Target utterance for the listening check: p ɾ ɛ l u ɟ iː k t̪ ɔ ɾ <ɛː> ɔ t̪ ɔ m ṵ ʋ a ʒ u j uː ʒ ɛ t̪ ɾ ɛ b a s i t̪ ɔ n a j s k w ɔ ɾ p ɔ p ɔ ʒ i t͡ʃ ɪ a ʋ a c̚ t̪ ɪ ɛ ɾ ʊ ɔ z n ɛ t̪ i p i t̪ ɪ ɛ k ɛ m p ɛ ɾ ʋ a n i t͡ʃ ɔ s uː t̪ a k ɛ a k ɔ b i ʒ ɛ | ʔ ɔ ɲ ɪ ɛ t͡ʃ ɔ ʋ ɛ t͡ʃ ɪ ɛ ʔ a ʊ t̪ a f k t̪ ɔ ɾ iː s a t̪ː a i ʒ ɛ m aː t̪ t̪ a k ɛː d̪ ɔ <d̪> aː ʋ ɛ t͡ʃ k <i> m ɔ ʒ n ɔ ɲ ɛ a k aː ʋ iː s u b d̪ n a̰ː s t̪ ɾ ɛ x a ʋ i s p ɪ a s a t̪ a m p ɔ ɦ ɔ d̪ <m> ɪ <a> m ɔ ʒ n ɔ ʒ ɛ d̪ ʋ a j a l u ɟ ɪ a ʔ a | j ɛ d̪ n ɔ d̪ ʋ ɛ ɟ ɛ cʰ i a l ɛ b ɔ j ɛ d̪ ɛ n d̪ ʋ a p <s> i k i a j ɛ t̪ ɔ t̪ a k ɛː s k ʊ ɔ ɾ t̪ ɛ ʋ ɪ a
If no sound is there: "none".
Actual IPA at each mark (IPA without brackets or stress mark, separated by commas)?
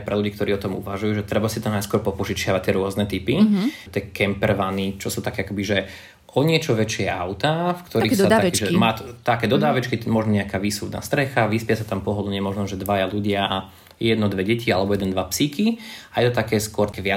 iː, d̪, i, ɲ, ɛ, s